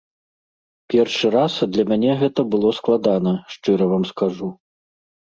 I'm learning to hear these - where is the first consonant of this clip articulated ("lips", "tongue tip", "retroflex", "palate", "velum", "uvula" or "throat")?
lips